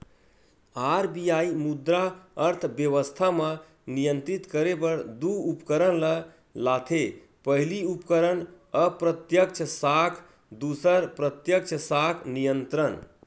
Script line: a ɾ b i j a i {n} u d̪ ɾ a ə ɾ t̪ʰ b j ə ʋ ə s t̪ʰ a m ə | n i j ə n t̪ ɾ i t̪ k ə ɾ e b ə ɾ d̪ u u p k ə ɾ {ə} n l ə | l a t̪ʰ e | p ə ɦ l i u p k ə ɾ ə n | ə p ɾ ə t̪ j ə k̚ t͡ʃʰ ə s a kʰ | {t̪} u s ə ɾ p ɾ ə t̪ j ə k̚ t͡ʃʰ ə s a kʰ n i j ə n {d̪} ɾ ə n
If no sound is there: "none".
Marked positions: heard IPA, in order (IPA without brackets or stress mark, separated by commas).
m, ə, d̪, t̪